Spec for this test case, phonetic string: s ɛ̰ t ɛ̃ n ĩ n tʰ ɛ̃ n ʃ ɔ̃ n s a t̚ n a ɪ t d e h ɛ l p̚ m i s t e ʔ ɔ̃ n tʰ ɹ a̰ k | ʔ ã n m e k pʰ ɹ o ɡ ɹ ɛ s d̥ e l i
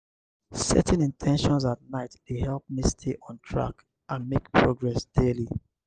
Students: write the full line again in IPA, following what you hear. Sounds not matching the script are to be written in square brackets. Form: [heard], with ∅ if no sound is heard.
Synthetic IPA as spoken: s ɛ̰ t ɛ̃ n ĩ n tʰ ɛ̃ n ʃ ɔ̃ n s a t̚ n a ɪ t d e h ɛ l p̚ m i s [tʰ] e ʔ ɔ̃ n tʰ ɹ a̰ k | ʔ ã n m e k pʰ ɹ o ɡ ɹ ɛ s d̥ e l i